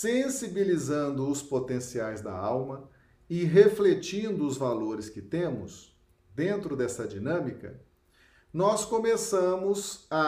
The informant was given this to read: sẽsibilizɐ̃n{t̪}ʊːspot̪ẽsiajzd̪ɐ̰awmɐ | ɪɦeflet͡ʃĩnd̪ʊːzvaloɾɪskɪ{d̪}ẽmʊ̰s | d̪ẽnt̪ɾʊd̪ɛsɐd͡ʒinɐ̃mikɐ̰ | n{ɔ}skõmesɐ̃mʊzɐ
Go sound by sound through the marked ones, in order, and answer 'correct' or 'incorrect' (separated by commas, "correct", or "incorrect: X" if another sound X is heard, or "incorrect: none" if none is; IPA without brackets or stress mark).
incorrect: d̪, incorrect: t̪, correct